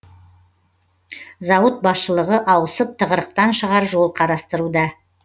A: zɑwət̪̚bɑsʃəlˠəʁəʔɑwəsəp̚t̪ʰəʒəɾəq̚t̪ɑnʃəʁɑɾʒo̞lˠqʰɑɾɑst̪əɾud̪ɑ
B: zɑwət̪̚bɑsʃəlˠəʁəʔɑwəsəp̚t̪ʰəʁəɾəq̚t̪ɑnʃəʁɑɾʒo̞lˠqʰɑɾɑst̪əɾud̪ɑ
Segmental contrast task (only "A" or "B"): B